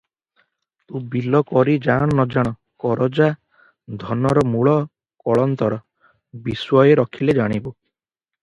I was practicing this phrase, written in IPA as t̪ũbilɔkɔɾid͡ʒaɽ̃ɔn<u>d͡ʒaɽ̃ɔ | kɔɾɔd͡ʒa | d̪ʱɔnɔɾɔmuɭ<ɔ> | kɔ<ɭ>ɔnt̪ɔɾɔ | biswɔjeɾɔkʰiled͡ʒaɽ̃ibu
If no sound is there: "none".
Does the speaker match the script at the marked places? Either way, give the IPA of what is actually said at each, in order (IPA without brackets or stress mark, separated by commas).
ɔ, ɔ, ɭ